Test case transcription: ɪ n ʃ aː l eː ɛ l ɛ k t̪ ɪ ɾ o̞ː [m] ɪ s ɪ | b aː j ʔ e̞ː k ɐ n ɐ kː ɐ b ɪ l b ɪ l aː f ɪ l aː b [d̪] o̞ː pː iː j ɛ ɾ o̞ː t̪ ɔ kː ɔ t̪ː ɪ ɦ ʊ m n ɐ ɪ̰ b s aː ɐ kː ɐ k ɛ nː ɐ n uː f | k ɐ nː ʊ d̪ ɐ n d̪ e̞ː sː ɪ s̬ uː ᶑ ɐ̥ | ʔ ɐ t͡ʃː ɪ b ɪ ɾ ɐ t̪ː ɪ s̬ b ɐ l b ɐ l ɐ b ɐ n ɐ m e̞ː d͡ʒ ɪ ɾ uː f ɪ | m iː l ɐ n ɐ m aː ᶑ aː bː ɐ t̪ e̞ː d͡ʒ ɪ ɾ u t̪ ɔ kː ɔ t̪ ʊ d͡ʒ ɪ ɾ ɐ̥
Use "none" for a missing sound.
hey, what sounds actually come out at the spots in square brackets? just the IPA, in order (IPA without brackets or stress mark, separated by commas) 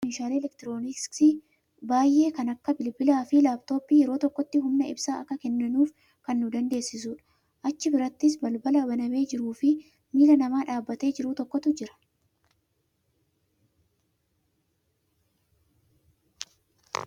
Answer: n, t̪